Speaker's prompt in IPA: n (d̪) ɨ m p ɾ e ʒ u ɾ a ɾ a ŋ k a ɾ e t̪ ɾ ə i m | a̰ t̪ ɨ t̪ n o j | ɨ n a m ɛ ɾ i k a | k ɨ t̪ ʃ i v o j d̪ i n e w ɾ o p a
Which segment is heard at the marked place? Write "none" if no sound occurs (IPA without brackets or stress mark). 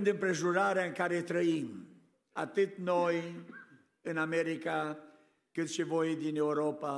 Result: d̪